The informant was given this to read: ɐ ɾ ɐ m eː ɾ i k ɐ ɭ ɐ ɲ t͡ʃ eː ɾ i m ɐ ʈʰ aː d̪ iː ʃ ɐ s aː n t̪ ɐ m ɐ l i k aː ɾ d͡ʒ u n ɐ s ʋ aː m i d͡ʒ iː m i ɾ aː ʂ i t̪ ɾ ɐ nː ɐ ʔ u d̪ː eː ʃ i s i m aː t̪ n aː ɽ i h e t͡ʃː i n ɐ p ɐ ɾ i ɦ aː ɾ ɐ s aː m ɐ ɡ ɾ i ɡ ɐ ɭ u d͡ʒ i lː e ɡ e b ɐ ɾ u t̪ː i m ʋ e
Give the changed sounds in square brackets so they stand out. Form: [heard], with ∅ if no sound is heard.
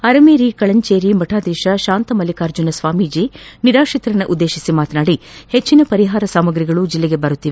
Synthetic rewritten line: ɐ ɾ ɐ m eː ɾ i k ɐ ɭ ɐ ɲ t͡ʃ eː ɾ i m ɐ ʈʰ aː d̪ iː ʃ ɐ [ʃ] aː n t̪ ɐ m ɐ l i k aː ɾ d͡ʒ u n ɐ s ʋ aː m i d͡ʒ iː [n] i ɾ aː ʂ i t̪ ɾ ɐ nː ɐ ʔ u d̪ː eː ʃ i s i m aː t̪ n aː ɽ i h e t͡ʃː i n ɐ p ɐ ɾ i ɦ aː ɾ ɐ s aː m ɐ ɡ ɾ i ɡ ɐ ɭ u d͡ʒ i lː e ɡ e b ɐ ɾ u t̪ː i [∅] ʋ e